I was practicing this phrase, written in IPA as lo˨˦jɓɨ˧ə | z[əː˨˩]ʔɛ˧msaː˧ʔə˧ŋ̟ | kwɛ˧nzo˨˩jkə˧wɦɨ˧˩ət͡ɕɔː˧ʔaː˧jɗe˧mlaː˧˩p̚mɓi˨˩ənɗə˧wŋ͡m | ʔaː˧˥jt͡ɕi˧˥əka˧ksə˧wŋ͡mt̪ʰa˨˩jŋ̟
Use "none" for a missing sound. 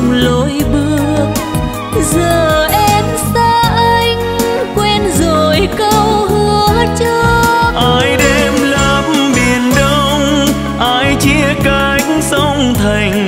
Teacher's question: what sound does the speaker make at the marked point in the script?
əː˨˩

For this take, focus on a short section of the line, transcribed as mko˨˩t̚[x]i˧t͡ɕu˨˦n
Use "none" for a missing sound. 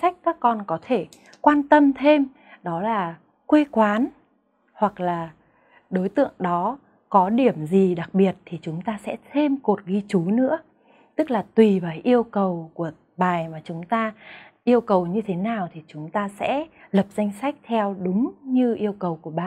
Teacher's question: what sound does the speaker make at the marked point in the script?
ɣ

